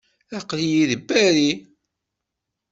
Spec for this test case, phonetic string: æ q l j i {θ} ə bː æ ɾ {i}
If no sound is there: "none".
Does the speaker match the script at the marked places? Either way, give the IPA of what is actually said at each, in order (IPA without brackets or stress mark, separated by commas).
ð, i